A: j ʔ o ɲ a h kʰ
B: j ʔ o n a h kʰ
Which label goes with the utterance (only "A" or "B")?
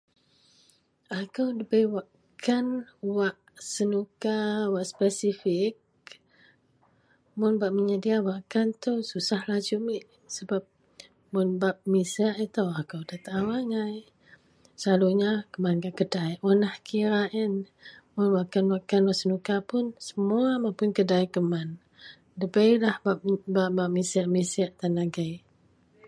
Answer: B